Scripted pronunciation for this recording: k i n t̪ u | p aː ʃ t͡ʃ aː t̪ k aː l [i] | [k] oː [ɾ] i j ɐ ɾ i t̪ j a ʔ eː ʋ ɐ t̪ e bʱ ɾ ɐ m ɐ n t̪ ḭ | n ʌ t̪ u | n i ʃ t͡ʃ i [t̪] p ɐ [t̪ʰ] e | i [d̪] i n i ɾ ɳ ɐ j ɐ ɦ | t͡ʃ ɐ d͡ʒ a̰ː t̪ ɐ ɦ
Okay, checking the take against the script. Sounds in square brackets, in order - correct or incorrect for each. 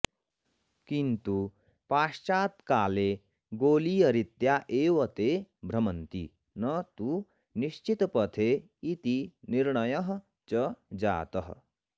incorrect: e, incorrect: ɡ, incorrect: l, correct, correct, incorrect: t̪

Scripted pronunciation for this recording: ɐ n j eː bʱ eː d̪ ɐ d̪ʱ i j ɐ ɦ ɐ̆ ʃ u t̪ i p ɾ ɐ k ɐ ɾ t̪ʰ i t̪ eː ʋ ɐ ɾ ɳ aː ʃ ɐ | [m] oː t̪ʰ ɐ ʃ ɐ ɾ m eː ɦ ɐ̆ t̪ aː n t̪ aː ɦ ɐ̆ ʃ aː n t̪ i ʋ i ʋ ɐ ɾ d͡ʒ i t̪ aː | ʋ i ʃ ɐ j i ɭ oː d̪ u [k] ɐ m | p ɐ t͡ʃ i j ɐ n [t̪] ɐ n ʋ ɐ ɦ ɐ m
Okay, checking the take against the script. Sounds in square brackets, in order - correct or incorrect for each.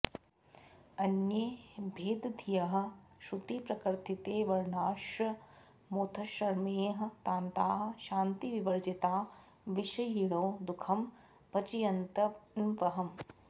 correct, incorrect: kʰ, correct

